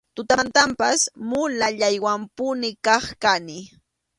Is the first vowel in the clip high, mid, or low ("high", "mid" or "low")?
high